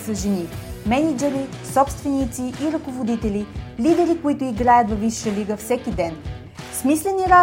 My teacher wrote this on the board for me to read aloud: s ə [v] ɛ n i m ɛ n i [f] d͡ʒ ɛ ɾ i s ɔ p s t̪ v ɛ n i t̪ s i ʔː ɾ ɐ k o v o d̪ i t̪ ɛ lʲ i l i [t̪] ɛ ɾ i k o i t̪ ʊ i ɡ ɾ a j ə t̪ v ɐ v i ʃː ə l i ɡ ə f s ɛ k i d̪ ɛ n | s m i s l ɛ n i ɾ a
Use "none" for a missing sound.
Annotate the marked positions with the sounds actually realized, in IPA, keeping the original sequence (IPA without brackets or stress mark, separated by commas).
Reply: ʒ, none, d̪